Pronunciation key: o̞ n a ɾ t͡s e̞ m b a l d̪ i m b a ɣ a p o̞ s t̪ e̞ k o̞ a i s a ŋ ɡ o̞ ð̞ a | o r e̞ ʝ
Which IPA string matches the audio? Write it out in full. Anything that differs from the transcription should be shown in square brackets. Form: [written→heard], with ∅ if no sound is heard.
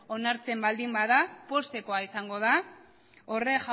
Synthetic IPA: o̞ n a ɾ t͡s e̞ m b a l d̪ i m b a [ɣ→ð] a p o̞ s t̪ e̞ k o̞ a i s a ŋ ɡ o̞ ð̞ a | o r e̞ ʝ